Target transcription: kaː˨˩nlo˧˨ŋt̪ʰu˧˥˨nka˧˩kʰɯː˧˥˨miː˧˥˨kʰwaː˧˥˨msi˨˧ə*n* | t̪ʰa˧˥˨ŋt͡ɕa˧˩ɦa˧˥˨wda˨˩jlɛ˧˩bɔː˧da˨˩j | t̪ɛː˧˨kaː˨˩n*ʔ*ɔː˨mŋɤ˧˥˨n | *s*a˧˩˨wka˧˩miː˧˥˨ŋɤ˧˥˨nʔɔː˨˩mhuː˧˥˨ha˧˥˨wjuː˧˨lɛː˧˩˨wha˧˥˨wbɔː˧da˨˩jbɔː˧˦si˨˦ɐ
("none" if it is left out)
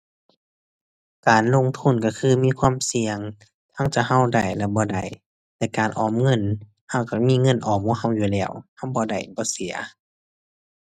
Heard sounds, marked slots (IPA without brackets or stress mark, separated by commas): ŋ, ʔ, h